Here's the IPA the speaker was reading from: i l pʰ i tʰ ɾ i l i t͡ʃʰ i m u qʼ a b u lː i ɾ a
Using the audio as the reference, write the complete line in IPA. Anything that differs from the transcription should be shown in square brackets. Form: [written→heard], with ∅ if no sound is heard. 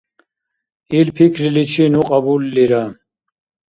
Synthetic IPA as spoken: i l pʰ i [tʰ→kʰ] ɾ i l i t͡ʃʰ i [m→n] u qʼ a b u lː i ɾ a

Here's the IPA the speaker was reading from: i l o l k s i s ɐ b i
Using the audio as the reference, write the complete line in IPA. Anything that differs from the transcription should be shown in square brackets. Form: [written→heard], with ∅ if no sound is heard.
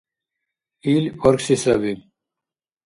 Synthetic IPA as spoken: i l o [l→ɾ] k s i s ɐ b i

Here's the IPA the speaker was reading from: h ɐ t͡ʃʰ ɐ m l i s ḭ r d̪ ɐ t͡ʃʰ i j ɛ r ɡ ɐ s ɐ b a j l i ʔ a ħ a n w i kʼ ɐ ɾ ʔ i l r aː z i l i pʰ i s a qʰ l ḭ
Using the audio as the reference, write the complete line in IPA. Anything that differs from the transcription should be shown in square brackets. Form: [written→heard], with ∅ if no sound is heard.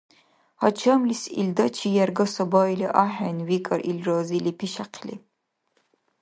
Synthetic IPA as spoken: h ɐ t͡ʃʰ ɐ m l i s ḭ [r→l] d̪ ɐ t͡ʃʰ i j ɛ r ɡ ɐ s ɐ b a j l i ʔ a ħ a n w i kʼ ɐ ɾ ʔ i l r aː z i l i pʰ i [s→ʃ] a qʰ l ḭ

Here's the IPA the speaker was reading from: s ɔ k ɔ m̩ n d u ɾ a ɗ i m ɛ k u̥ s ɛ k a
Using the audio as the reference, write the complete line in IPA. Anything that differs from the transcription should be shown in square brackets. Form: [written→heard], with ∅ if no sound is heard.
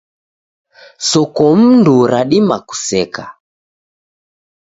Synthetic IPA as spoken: s ɔ k ɔ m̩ n d u ɾ a ɗ i m [ɛ→a] k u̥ s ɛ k a

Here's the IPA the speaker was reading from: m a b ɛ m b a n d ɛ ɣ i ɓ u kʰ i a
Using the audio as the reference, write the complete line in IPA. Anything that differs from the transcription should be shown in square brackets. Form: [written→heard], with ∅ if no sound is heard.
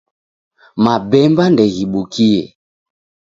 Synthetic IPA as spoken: m a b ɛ m b a n d ɛ ɣ i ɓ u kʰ i [a→ɛ]

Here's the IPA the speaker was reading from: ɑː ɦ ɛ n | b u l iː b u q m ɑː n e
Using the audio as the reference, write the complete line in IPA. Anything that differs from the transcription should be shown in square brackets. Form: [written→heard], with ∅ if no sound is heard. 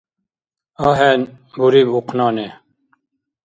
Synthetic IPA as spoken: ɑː ɦ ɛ n | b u [l→ɾ] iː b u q [m→n] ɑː n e

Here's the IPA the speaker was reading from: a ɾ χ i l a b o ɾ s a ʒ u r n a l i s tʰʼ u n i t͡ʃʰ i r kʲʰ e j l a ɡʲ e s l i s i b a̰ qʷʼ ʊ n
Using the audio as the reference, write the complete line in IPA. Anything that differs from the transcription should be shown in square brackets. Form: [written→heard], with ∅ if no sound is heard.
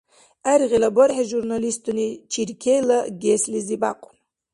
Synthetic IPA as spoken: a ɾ [χ→ʁ] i l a b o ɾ [s→ħ] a ʒ u r n a l i s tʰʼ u n i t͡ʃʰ i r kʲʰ e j l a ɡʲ e s l i [s→z] i b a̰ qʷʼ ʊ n

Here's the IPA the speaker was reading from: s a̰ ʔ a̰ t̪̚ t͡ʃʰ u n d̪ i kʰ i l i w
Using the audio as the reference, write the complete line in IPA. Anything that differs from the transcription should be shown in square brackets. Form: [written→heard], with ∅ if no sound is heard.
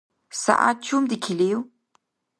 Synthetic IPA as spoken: s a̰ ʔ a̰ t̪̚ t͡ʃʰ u [n→m] d̪ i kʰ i l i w

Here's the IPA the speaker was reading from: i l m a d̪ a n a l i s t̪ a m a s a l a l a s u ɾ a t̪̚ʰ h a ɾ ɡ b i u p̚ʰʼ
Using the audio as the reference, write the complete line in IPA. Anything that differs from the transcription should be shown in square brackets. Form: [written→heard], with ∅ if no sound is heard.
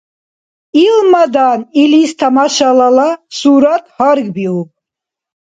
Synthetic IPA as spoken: i l m a d̪ a n [a→i] l i s [t̪→t̪ʰ] a m a [s→ʃ] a l a l a s u ɾ a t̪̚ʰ h a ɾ ɡ b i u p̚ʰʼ

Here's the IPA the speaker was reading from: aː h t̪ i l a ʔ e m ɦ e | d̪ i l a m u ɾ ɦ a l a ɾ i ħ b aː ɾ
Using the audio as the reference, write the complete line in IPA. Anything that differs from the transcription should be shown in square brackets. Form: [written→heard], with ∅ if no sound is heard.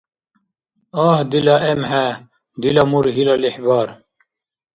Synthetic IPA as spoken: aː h [t̪→d̪] i l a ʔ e m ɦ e | d̪ i l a m u ɾ ɦ [a→i] l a [ɾ→l] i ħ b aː ɾ

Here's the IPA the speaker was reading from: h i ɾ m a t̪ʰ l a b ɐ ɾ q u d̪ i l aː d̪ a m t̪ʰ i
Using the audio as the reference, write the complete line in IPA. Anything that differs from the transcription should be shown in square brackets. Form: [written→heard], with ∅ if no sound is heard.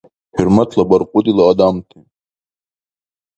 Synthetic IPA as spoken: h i ɾ m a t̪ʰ l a b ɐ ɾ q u d̪ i l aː d̪ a m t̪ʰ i

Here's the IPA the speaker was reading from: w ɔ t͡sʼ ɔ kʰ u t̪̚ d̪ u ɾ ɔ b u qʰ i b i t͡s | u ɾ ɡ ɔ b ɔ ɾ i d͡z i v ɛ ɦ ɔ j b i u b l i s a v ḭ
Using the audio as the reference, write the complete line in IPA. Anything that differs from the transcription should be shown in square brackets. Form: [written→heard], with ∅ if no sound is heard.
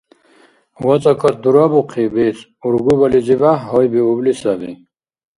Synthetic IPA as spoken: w ɔ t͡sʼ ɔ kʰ [u→ɔ] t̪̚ d̪ u ɾ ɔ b u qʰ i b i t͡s | u ɾ ɡ [ɔ→u] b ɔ [ɾ→l] i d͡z i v [ɛ→a] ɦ ɔ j b i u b l i s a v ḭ

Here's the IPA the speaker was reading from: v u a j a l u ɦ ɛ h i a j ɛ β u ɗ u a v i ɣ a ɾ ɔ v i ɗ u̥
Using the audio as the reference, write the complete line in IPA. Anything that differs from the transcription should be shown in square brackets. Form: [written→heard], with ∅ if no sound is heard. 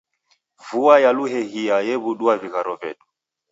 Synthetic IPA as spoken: v u a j a l u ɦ ɛ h i a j ɛ β u ɗ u a v i ɣ a ɾ ɔ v [i→ɛ] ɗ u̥

